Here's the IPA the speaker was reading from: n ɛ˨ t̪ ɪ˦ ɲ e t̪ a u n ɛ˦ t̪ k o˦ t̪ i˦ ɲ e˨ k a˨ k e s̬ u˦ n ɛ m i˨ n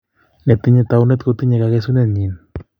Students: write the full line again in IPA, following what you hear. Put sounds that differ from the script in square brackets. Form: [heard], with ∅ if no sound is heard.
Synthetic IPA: n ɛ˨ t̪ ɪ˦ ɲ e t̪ a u n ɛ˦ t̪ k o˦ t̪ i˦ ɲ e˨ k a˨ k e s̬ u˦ n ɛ [ɲ] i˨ n